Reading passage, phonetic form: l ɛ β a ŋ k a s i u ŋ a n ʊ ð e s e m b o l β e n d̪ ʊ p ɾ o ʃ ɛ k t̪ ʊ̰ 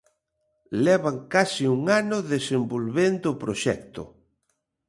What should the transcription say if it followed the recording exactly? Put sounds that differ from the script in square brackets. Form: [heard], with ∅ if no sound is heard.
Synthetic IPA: l ɛ β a ŋ k a s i u ŋ a n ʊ ð e s e m b o l β e n d̪ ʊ p ɾ o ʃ ɛ k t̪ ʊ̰